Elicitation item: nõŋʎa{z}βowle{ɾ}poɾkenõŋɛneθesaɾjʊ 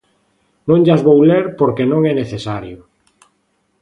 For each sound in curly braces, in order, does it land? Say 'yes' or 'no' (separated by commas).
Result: yes, yes